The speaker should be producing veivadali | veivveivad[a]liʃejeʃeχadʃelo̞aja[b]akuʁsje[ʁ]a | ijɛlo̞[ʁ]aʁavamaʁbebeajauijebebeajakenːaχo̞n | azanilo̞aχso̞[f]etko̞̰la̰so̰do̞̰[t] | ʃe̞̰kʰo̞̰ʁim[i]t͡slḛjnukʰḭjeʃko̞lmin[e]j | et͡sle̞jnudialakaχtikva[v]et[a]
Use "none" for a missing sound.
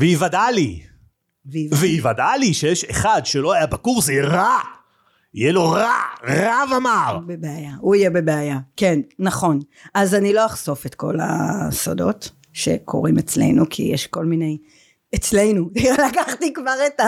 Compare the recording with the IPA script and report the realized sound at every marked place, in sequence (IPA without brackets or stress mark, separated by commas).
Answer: a, b, ʁ, ʁ, f, t, e, e, ʁ, a